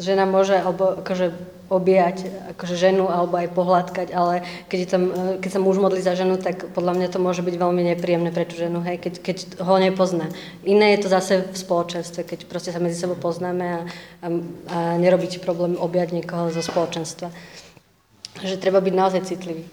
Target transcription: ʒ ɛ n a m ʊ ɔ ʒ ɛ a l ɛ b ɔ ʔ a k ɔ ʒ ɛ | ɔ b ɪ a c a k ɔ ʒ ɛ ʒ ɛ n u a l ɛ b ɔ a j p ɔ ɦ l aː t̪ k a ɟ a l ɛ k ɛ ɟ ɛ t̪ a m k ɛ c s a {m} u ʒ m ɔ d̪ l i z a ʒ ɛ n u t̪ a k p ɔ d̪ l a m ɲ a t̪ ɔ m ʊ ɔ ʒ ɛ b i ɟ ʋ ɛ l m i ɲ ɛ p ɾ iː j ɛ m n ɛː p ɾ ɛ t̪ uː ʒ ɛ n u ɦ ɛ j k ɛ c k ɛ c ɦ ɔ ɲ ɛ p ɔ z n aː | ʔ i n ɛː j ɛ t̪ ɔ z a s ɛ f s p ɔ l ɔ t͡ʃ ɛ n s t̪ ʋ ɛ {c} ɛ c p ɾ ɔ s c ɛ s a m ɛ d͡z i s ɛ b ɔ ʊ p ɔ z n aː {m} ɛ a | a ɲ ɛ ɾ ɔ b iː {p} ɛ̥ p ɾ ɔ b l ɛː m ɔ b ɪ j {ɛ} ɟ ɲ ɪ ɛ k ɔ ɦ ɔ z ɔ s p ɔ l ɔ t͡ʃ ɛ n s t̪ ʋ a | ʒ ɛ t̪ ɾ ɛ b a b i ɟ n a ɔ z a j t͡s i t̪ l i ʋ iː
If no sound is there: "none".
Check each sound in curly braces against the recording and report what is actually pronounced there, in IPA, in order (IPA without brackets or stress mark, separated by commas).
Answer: m, k, m, c, a